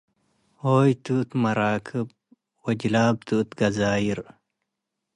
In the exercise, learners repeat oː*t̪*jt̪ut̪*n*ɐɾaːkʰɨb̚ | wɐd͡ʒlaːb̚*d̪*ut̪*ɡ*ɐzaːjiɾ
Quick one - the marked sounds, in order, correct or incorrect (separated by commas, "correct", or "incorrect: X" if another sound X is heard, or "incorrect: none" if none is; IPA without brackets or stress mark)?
incorrect: none, incorrect: m, incorrect: t̪, correct